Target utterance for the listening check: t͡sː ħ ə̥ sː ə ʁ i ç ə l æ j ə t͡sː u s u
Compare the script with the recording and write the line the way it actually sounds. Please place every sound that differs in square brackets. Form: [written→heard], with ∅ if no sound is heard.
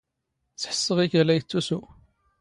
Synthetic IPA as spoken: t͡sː ħ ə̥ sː ə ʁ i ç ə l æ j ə t͡sː u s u